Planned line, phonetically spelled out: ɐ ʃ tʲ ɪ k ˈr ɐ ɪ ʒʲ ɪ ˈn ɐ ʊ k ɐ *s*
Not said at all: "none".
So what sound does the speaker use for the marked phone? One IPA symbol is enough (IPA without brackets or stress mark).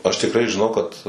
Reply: t